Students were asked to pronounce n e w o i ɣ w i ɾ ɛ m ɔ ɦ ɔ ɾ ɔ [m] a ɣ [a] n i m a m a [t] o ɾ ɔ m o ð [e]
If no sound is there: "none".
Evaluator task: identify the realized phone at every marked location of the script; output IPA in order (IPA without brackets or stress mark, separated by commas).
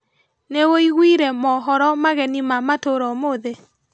m, ɛ, t, e